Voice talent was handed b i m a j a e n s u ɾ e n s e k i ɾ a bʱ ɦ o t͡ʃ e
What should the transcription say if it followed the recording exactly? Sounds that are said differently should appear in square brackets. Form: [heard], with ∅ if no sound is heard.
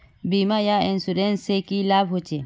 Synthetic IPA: b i m a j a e n s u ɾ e n s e k i [l] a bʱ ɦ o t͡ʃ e

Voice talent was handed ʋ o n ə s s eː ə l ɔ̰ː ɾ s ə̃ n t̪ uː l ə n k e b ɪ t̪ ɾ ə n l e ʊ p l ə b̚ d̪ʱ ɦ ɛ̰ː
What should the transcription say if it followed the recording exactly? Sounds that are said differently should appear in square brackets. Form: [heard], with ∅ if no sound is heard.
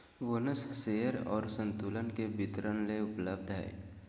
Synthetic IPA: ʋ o n ə s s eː ə [ɾ] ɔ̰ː ɾ s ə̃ n t̪ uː l ə n k e b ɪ t̪ ɾ ə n l e ʊ p l ə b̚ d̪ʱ ɦ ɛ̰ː

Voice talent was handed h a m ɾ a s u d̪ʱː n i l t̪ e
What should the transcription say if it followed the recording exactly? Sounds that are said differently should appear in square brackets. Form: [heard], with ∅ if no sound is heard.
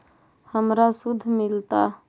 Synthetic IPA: h [ə] m ɾ a s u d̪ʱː [m] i l t̪ [a]

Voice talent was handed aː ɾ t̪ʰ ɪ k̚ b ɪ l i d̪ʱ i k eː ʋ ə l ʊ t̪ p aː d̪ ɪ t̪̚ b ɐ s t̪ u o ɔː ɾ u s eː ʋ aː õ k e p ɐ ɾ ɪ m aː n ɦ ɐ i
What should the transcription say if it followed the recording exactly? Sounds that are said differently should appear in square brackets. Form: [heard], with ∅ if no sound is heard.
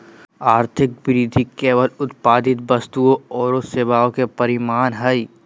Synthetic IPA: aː ɾ t̪ʰ ɪ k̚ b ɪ [ɾ] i d̪ʱ i k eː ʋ ə l ʊ t̪ p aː d̪ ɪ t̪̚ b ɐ s t̪ u o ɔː ɾ [o] s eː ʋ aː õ k e p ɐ ɾ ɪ m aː n ɦ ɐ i

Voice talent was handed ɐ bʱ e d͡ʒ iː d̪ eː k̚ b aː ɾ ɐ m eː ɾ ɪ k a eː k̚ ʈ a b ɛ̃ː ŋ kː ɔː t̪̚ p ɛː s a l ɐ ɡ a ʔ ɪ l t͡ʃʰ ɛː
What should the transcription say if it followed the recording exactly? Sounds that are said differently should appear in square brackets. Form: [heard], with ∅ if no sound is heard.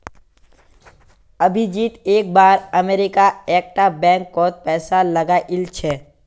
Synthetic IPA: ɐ bʱ [i] d͡ʒ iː [t̪] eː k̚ b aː ɾ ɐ m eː ɾ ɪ k a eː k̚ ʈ a b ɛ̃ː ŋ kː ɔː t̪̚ p ɛː s a l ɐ ɡ a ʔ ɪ l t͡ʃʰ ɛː

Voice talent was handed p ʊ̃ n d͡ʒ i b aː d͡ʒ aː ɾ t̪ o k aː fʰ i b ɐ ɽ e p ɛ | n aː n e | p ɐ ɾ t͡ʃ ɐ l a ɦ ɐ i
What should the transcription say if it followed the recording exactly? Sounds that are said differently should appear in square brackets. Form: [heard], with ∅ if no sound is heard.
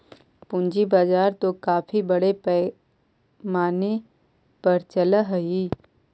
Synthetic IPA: p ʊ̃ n d͡ʒ i b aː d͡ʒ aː ɾ t̪ o k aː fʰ i b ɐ ɽ e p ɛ | [m] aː n e | p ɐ ɾ t͡ʃ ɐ l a ɦ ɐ i

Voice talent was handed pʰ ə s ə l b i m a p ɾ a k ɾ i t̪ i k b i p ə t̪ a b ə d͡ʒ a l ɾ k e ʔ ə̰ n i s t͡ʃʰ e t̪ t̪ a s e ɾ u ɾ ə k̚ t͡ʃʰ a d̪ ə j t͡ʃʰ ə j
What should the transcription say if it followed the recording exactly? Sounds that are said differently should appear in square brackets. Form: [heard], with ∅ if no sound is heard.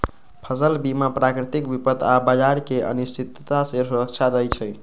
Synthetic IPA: pʰ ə s ə l b i m a p ɾ a k ɾ i t̪ i k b i p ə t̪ a b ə d͡ʒ a [∅] ɾ k e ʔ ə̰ n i s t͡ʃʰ [i] t̪ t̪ a s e ɾ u ɾ ə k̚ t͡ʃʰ a d̪ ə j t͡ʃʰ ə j

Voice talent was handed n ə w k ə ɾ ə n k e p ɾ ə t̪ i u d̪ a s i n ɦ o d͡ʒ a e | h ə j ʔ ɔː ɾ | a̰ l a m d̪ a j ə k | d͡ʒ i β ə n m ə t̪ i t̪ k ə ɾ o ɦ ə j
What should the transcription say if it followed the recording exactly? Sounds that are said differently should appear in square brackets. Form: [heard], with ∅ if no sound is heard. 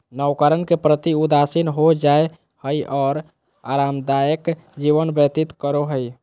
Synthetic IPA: n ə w k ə ɾ ə n k e p ɾ ə t̪ i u d̪ a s i n ɦ o d͡ʒ a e | h ə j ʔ ɔː ɾ | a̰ [ɾ] a m d̪ a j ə k | d͡ʒ i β ə n [b] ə t̪ i t̪ k ə ɾ o ɦ ə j

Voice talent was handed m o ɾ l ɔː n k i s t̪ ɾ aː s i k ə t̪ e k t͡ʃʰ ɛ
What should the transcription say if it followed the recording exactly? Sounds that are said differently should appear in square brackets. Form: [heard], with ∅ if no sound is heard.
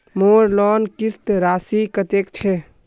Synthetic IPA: m o ɾ l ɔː n k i s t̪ ɾ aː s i k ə t̪ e k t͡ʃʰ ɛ

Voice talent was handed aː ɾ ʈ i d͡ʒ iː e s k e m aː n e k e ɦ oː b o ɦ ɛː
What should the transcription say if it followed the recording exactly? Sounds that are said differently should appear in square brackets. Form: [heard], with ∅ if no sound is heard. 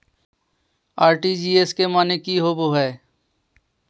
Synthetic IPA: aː ɾ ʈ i d͡ʒ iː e s k e m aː n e k [i] ɦ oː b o ɦ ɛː

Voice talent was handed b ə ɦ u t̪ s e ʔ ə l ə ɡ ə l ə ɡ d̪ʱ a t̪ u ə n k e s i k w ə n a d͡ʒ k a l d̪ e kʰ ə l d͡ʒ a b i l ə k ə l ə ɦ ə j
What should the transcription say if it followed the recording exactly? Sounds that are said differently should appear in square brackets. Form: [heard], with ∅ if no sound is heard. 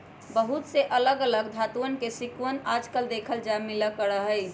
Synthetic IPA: b ə ɦ u t̪ s e ʔ ə l ə ɡ ə l ə ɡ d̪ʱ a t̪ u ə n k e s i k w ə n a d͡ʒ k [ə] l d̪ e kʰ ə l d͡ʒ a [m] i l ə k ə [ɾ] ə ɦ ə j

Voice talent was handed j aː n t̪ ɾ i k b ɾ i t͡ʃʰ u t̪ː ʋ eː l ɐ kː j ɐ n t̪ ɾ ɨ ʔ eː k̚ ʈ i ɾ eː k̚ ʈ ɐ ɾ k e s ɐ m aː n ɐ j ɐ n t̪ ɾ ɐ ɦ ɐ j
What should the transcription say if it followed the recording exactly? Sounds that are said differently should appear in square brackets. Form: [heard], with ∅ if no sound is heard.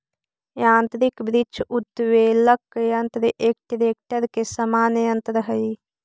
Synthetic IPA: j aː n t̪ ɾ i k b ɾ i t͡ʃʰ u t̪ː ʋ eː l ɐ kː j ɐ n t̪ ɾ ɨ ʔ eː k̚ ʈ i ɾ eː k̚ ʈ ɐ ɾ k e s ɐ m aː n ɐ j ɐ n t̪ ɾ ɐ ɦ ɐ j

